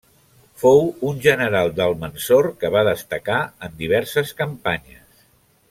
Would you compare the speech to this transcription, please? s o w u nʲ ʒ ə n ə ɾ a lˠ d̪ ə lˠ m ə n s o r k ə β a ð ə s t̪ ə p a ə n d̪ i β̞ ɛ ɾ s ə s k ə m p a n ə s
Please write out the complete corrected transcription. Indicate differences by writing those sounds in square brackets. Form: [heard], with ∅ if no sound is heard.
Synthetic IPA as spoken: [f] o w u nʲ ʒ ə n ə ɾ a lˠ d̪ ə lˠ m ə n s o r k ə β a ð ə s t̪ ə [k] a ə n d̪ i β̞ ɛ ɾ s ə s k ə m p a [ɲ] ə s